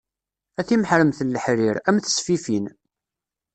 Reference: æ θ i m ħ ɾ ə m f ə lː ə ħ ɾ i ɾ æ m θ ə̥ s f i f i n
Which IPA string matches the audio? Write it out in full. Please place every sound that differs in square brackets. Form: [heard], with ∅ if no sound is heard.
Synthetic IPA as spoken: æ θ i m ħ ɾ ə m [θ] ə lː ə ħ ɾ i ɾ æ m θ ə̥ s f i f i n